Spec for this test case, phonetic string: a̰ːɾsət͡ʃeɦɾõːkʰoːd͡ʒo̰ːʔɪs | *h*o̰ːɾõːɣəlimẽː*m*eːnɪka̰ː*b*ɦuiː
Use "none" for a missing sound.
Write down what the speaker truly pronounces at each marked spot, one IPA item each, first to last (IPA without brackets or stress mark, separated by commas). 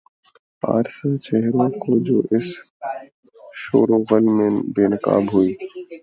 ʃ, b, b